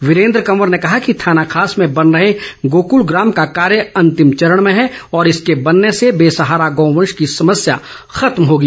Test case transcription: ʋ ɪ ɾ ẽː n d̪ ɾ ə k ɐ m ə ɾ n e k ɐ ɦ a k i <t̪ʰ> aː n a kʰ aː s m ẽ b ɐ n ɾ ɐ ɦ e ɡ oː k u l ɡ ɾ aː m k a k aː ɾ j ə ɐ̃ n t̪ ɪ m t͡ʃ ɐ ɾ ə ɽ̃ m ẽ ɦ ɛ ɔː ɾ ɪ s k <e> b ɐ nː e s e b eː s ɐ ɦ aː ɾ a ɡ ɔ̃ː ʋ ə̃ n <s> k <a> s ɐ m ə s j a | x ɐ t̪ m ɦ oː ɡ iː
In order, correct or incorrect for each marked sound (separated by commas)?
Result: correct, correct, incorrect, incorrect